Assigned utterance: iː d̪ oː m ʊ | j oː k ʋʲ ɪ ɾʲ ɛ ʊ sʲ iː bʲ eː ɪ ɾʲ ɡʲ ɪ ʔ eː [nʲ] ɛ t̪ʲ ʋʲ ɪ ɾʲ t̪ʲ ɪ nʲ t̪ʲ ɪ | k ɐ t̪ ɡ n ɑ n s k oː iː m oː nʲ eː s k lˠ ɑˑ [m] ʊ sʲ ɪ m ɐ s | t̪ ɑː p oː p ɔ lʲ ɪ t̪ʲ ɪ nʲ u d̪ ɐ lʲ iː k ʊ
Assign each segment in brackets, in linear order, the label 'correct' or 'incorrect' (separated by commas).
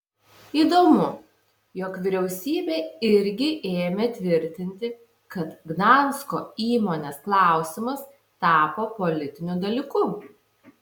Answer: incorrect, incorrect